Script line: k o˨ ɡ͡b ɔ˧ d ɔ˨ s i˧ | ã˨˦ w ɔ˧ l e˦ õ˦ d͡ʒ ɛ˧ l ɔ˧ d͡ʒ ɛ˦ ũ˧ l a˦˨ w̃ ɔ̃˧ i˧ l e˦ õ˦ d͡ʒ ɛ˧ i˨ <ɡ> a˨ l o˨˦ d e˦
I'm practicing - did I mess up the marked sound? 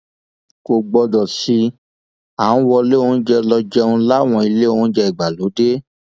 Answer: yes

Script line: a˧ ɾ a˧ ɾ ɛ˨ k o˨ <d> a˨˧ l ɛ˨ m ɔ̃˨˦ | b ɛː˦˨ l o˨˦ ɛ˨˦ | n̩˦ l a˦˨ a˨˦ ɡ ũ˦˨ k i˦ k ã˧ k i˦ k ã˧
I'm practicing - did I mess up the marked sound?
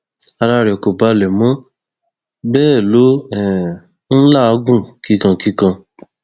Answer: yes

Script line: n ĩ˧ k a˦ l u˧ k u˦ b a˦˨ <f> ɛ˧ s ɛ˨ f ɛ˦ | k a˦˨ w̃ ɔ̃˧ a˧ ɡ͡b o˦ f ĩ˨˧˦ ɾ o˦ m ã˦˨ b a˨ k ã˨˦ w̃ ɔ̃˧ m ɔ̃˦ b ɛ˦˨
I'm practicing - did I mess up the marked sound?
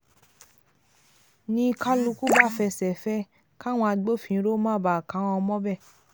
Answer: no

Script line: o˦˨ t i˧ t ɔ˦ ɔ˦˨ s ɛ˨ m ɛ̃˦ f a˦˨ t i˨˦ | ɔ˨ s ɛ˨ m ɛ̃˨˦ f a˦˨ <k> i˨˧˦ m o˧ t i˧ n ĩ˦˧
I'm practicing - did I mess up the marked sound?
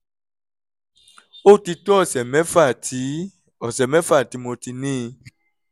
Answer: yes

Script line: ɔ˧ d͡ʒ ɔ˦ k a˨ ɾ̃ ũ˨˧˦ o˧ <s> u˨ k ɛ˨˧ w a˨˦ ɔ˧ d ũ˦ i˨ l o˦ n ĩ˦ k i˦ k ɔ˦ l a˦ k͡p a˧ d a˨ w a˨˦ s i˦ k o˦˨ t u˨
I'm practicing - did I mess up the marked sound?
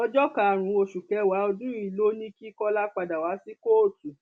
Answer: yes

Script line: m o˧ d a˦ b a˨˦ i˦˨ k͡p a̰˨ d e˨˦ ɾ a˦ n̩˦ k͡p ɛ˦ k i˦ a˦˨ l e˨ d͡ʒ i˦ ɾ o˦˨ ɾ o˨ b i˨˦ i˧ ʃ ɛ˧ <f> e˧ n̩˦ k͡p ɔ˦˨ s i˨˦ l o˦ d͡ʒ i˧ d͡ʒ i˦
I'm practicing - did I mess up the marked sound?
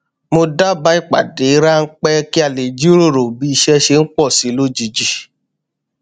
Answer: yes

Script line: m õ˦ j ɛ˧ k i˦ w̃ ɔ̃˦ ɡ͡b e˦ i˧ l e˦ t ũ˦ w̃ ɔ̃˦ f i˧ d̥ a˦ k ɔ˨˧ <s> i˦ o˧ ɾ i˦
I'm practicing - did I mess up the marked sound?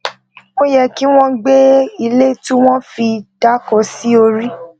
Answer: no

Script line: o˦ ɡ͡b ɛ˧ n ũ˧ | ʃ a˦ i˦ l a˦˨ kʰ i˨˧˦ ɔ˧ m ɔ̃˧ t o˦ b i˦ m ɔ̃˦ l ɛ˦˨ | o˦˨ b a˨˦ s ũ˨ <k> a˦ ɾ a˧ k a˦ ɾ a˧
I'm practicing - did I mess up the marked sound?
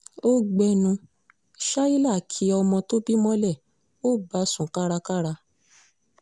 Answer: no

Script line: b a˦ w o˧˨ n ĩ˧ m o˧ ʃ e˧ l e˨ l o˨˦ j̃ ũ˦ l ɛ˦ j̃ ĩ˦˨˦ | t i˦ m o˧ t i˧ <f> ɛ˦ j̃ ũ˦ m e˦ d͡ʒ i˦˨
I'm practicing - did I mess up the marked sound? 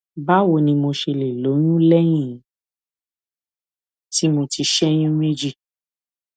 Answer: yes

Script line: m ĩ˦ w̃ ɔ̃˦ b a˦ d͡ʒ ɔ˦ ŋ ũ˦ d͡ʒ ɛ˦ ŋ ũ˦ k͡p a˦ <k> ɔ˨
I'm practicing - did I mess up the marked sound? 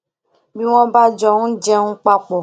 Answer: yes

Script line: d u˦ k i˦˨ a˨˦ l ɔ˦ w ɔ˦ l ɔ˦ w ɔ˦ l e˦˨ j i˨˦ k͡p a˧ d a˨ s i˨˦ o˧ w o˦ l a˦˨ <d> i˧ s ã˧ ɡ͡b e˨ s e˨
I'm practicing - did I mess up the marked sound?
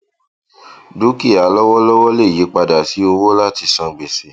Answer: yes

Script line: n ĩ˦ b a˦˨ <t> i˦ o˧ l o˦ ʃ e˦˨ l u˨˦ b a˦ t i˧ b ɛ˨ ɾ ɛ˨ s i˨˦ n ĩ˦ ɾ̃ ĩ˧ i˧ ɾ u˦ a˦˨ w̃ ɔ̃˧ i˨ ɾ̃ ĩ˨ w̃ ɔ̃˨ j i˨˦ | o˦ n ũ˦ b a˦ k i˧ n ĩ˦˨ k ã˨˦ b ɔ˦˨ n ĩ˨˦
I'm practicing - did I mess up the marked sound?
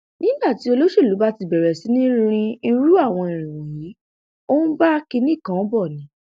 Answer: no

